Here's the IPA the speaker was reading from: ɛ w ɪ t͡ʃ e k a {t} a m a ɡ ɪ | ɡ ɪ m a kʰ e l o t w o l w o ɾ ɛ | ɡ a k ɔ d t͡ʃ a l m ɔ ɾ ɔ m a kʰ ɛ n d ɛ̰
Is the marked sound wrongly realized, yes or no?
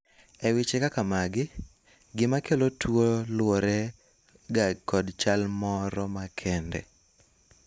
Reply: yes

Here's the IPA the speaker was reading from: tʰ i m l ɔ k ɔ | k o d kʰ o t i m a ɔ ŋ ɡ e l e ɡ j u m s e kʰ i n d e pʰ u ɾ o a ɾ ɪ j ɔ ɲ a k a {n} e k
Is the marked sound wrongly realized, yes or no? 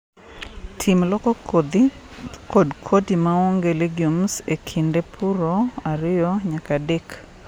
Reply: yes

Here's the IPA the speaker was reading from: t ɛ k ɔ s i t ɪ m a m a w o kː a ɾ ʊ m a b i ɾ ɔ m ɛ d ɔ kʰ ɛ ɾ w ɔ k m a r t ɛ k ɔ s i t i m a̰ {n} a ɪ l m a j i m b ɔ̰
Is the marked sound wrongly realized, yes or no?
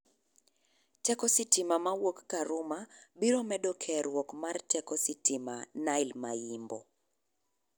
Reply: no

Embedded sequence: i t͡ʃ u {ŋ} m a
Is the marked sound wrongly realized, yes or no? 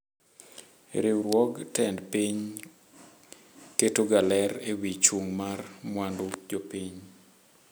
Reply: no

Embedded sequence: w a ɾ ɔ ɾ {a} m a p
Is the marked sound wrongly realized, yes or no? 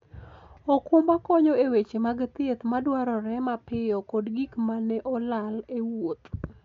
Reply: yes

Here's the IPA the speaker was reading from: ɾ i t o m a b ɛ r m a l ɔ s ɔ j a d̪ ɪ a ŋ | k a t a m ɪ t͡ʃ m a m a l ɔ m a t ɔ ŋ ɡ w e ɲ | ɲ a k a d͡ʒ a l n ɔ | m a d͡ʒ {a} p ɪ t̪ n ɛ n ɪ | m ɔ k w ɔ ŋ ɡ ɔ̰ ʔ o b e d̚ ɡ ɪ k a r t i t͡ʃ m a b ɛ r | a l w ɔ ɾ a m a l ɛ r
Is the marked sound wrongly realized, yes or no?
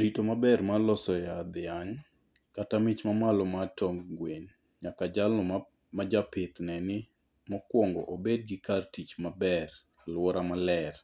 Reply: no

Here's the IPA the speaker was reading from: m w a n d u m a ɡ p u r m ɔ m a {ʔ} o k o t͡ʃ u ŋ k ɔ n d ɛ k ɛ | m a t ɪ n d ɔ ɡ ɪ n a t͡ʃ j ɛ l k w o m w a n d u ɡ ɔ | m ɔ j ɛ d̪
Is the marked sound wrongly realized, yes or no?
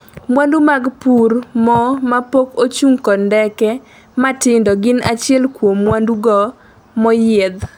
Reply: yes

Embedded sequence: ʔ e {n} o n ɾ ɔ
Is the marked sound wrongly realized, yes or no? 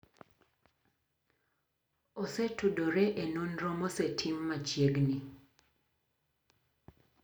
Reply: no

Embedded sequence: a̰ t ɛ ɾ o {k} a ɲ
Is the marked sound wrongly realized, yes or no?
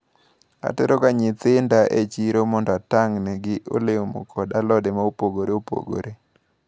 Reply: no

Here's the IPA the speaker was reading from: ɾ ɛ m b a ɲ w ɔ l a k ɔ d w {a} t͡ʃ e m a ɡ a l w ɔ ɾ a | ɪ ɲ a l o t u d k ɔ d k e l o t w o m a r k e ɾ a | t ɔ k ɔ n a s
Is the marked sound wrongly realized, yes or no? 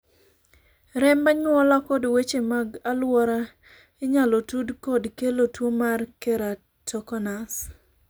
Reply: yes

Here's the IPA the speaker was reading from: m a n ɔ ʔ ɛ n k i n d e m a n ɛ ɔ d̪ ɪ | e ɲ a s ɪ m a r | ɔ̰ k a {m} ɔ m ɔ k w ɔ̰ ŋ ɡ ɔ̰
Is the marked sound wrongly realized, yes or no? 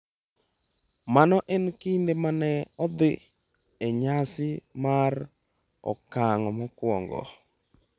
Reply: yes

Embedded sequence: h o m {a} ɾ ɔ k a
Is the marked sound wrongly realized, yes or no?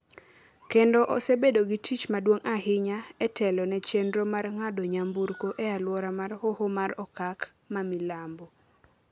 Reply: no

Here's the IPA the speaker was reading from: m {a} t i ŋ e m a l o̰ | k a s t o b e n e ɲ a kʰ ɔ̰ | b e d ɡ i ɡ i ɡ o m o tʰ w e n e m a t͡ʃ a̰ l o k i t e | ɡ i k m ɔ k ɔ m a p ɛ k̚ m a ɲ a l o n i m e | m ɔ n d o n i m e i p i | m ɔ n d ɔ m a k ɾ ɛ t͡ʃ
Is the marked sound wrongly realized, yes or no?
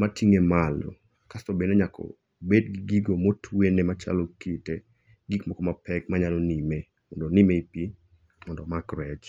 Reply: no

